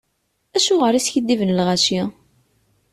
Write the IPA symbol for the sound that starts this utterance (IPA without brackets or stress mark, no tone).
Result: æ